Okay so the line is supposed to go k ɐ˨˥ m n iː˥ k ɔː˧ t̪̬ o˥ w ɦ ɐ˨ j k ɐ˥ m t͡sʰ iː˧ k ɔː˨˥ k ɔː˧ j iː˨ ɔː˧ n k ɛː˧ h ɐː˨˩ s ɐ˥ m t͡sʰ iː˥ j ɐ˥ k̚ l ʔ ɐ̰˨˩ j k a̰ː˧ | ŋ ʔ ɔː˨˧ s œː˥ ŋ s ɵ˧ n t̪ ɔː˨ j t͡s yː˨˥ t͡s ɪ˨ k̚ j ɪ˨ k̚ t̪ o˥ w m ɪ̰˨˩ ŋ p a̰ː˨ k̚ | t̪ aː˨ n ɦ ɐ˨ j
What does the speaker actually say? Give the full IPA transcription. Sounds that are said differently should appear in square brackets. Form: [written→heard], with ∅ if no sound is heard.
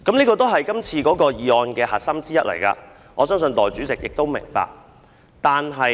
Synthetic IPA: k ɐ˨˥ m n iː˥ k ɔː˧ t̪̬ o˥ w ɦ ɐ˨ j k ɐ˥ m t͡sʰ iː˧ k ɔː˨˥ k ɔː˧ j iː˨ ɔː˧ n k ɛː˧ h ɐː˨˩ s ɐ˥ m [t͡sʰ→t͡s] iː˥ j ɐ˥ [k̚→t̚] l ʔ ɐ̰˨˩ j k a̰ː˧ | ŋ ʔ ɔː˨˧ s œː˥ ŋ s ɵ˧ n t̪ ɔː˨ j t͡s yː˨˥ t͡s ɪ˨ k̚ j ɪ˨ k̚ t̪ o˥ w m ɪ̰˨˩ ŋ p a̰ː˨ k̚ | t̪ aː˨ n ɦ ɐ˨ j